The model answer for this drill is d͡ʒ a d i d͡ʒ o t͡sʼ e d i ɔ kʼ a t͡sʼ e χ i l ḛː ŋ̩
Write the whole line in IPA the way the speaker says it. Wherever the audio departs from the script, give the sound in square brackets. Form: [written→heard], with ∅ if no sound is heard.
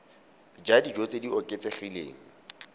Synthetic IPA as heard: d͡ʒ a d i d͡ʒ o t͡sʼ e d i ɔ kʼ [a→e] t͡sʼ e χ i l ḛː ŋ̩